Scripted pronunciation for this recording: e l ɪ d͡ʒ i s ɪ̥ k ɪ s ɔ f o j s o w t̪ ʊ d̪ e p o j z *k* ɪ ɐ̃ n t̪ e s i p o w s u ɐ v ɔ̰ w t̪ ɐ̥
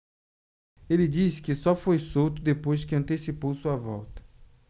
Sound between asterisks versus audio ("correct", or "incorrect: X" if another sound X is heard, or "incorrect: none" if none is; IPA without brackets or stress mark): correct